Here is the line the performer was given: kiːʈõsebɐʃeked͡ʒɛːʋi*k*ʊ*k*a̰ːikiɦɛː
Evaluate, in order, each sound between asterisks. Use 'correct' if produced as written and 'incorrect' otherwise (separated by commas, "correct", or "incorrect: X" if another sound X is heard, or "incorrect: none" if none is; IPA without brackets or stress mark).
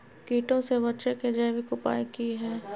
correct, incorrect: p